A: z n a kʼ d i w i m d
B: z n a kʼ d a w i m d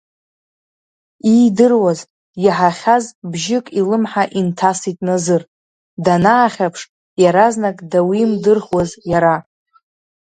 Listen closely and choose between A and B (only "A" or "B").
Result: B